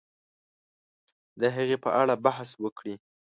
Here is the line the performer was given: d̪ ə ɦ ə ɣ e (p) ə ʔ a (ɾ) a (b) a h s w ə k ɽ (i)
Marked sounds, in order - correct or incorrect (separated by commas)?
correct, incorrect, correct, correct